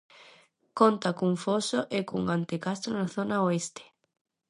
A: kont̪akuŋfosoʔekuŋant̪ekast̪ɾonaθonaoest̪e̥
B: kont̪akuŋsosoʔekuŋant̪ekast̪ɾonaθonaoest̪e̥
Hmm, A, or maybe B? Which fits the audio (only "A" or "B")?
A